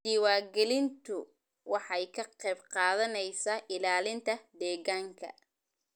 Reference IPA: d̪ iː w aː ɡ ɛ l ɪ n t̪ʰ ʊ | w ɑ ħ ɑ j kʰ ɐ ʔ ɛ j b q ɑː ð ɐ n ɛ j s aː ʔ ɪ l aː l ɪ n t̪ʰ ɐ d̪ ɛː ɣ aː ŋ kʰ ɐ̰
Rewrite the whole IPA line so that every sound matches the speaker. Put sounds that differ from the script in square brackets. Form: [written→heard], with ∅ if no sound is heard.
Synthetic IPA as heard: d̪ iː w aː ɡ ɛ l ɪ n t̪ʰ ʊ | w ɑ ħ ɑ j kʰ ɐ [ʔ→q] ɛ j b q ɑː ð ɐ n ɛ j s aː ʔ ɪ l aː l ɪ n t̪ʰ ɐ d̪ ɛː ɣ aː ŋ kʰ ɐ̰